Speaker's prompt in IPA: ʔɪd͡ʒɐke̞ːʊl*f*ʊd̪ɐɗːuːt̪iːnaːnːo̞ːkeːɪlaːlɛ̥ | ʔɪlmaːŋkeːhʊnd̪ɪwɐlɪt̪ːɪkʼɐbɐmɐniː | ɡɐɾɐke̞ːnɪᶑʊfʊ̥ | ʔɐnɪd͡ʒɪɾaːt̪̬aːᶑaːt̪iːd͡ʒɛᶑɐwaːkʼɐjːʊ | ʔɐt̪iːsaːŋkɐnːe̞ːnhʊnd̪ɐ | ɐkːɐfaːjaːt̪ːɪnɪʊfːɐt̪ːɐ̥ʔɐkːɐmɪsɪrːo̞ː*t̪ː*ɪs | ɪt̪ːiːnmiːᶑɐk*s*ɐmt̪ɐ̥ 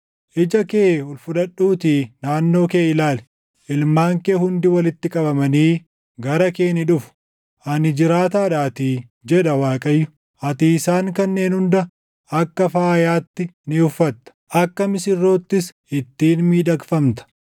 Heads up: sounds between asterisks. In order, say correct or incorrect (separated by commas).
correct, correct, incorrect